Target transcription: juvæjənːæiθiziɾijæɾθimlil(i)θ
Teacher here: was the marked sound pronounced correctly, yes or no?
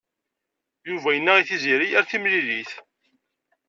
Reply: yes